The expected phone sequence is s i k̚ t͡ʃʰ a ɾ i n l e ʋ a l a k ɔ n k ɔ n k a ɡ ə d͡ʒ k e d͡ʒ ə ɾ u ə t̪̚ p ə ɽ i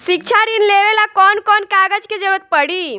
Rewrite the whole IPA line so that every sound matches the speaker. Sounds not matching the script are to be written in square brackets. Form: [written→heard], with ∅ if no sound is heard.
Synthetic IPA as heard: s i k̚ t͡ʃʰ a ɾ i n l e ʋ [a→e] l a k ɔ n k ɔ n k a ɡ ə d͡ʒ k e d͡ʒ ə ɾ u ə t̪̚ p ə ɽ i